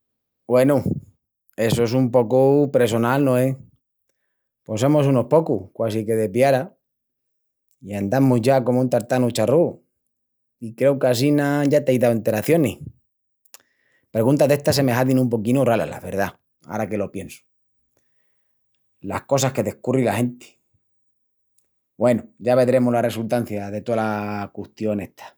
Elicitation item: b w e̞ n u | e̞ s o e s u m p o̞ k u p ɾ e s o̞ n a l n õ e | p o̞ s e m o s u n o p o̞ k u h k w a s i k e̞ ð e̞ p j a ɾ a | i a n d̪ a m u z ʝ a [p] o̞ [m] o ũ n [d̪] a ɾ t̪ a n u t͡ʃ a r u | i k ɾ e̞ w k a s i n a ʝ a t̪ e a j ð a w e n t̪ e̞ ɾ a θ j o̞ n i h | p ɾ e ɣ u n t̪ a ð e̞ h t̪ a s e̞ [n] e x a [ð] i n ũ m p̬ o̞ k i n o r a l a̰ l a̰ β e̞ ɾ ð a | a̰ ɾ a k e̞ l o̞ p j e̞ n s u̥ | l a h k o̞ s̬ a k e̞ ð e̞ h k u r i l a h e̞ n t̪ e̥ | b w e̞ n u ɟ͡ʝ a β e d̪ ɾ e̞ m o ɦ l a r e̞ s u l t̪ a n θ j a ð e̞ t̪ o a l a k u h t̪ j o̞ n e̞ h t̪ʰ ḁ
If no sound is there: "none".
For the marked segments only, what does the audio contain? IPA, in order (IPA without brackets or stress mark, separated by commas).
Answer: k, m, t̪, m, ð